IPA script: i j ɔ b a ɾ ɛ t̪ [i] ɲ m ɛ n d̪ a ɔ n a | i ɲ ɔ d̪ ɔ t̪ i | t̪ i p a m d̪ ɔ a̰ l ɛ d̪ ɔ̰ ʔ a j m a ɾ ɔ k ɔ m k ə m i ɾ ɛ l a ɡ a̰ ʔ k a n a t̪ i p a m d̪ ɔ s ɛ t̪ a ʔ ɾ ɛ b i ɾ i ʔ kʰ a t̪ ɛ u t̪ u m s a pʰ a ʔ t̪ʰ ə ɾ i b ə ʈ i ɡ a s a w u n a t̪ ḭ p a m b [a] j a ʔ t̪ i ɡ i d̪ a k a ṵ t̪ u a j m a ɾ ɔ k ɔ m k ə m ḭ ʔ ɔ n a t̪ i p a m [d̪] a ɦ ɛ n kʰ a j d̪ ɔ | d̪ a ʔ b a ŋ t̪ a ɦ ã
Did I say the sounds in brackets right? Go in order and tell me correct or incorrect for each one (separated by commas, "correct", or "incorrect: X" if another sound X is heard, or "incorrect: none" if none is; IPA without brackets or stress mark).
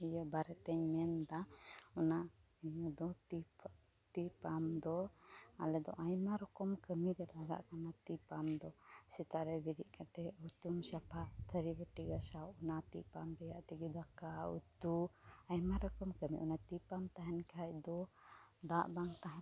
incorrect: ɛ, incorrect: ɛ, incorrect: t̪